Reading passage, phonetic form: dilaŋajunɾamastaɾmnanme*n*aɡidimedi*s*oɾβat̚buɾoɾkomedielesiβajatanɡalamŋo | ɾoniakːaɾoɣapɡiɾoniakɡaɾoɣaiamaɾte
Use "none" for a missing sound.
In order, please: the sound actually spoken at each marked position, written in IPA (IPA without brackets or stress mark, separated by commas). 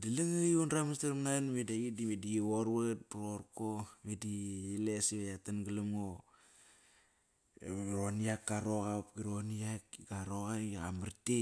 d, none